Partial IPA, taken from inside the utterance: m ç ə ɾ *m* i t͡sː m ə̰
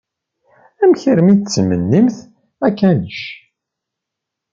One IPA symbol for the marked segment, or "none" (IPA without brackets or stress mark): m